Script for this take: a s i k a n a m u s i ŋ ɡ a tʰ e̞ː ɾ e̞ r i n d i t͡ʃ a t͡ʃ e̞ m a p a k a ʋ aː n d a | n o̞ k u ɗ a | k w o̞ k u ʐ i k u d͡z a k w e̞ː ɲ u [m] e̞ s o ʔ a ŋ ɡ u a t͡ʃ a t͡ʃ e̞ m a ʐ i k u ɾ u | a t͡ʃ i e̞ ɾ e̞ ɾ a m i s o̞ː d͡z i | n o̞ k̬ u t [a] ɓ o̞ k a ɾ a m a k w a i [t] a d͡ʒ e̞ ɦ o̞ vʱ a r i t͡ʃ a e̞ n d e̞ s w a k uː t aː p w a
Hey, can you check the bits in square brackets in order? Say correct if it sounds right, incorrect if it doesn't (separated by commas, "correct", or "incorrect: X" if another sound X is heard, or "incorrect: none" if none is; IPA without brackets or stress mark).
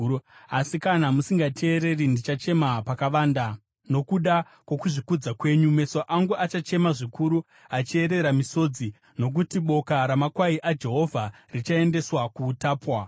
correct, incorrect: i, incorrect: ʔ